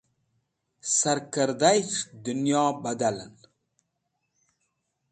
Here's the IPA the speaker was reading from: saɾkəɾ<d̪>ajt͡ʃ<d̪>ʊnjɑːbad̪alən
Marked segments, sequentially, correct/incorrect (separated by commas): correct, correct